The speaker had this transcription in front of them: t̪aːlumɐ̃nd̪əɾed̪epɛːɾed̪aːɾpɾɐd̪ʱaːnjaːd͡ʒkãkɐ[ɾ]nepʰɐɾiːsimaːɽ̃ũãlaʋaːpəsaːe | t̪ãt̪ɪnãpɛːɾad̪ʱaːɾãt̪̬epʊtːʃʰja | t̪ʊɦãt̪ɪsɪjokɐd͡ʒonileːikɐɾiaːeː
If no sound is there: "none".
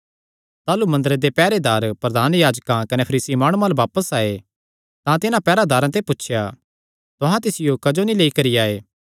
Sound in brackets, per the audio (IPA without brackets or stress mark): none